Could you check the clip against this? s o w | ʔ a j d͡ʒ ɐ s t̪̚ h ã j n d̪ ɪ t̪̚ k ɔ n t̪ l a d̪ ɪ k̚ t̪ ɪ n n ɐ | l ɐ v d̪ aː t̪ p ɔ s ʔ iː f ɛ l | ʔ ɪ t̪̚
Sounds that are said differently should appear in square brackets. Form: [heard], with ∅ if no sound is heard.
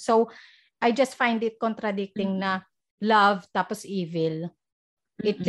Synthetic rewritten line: s o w | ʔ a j d͡ʒ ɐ s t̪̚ [f] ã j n d̪ ɪ t̪̚ k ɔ n t̪ [ɾ] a d̪ ɪ k̚ t̪ ɪ [ŋ] n ɐ | l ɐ v [t̪] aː [∅] p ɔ s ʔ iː [v] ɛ l | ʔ ɪ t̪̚